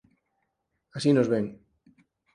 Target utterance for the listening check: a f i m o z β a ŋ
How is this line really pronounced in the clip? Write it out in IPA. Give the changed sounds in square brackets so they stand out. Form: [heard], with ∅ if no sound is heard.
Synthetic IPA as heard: a [s] i [n] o z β [e] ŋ